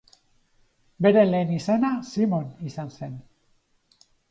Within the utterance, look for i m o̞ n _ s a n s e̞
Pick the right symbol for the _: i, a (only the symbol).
i